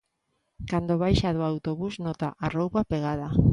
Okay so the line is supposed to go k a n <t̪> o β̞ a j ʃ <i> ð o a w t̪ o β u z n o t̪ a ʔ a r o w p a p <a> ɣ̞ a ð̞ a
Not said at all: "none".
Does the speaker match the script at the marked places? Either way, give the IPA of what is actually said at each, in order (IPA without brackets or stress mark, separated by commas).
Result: d̪, a, e